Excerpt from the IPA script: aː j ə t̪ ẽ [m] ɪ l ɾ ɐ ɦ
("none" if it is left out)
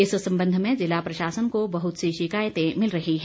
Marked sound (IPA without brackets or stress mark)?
m